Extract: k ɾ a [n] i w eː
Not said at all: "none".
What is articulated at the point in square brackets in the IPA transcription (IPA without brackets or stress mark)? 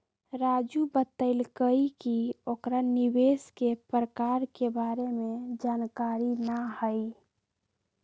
n